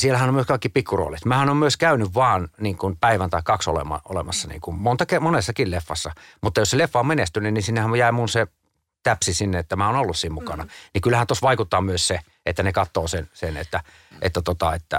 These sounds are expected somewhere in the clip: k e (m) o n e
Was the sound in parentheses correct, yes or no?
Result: yes